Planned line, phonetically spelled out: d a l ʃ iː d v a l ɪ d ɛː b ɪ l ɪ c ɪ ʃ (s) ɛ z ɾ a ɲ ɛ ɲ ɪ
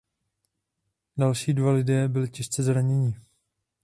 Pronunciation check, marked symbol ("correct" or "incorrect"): incorrect